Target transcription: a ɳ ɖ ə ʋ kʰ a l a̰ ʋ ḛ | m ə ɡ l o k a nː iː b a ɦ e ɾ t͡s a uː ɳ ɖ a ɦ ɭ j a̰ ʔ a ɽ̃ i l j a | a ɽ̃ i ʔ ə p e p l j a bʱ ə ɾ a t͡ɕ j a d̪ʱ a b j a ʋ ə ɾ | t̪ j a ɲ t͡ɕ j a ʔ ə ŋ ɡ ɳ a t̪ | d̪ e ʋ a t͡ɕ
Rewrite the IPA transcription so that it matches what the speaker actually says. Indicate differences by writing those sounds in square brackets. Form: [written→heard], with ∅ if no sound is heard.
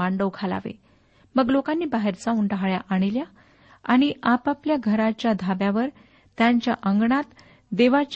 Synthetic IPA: a ɳ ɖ ə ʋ kʰ a l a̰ ʋ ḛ | m ə ɡ l o k a nː iː b a ɦ e ɾ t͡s a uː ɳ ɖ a ɦ ɭ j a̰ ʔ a ɽ̃ i l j a | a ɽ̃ i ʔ [ə→a] p [e→a] p l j a [bʱ→ɡʱ] ə ɾ a t͡ɕ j a d̪ʱ a b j a ʋ ə ɾ | t̪ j a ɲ t͡ɕ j a ʔ ə ŋ ɡ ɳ a t̪ | d̪ e ʋ a t͡ɕ